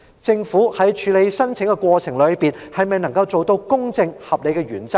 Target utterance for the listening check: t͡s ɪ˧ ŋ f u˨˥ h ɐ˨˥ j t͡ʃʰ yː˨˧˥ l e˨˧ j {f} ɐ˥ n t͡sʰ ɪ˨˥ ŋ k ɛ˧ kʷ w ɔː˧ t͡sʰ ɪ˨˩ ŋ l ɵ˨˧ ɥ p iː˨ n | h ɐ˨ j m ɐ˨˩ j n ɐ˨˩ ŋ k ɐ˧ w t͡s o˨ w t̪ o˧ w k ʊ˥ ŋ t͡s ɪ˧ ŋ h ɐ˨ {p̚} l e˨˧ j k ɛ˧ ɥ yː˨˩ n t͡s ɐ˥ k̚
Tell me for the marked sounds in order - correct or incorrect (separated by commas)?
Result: incorrect, correct